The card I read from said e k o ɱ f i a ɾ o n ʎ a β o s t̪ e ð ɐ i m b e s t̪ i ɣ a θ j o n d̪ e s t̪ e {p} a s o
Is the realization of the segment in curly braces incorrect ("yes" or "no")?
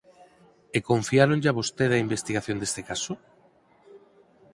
yes